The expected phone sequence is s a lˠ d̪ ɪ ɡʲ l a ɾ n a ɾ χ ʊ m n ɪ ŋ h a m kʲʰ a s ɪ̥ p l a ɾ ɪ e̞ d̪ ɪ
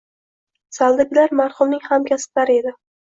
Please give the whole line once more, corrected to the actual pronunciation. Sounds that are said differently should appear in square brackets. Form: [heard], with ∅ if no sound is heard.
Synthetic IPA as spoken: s a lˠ d̪ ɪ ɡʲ l a ɾ [m] a ɾ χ ʊ m n ɪ ŋ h a m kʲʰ a s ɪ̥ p l a ɾ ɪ e̞ d̪ ɪ